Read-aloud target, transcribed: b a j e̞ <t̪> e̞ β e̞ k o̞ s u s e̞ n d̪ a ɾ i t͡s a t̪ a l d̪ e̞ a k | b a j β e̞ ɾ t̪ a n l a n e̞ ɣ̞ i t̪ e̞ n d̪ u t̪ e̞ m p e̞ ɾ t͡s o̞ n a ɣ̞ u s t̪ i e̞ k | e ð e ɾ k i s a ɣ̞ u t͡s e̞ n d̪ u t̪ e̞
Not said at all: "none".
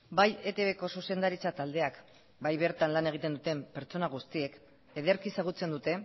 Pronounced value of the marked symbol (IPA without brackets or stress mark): t̪